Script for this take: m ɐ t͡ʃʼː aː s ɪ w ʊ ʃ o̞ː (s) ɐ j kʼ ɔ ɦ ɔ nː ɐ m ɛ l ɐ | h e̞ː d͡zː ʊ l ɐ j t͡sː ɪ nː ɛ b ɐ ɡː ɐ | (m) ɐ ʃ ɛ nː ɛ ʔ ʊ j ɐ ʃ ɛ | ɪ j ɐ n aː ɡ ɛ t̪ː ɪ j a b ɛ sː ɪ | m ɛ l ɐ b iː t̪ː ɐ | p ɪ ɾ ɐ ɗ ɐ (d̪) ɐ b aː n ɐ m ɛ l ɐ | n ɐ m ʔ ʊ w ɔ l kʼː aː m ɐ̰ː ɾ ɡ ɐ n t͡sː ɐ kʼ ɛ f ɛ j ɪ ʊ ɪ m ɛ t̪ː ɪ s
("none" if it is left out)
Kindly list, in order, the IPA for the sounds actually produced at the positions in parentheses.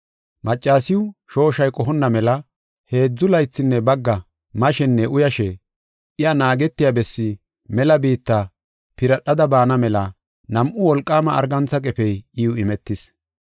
ʃ, m, d̪

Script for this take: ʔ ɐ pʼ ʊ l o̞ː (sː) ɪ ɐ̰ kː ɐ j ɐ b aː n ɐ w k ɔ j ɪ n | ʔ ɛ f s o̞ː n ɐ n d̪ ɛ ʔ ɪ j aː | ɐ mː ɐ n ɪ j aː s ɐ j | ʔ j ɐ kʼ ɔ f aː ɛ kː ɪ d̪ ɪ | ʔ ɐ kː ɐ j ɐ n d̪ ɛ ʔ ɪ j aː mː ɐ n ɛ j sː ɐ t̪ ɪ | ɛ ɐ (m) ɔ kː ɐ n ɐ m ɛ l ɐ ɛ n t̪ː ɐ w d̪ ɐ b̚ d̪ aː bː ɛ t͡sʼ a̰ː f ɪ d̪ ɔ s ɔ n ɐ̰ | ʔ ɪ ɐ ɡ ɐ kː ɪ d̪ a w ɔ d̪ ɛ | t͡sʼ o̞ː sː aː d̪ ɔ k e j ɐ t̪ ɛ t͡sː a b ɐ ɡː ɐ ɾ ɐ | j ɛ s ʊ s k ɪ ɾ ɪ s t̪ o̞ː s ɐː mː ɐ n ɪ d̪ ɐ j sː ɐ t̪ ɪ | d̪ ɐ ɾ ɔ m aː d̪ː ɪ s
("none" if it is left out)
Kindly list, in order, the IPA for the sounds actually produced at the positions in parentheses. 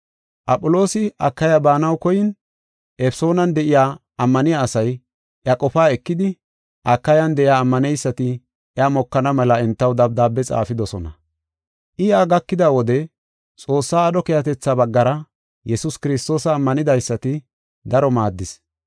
s, m

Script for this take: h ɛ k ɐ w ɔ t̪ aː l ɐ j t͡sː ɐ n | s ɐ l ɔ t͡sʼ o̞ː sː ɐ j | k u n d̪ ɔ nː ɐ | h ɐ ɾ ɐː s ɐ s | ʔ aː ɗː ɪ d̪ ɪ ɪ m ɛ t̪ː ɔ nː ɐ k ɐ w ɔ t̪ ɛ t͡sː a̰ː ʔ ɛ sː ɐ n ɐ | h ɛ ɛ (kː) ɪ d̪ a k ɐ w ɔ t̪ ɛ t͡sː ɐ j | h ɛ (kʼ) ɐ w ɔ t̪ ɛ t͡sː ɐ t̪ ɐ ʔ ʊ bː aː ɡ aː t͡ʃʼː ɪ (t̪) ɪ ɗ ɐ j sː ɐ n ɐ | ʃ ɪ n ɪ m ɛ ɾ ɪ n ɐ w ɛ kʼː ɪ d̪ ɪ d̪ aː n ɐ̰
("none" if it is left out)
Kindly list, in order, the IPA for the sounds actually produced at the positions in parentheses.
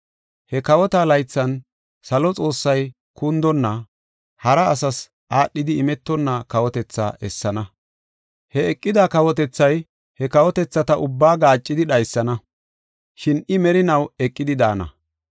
kʼː, k, d̪

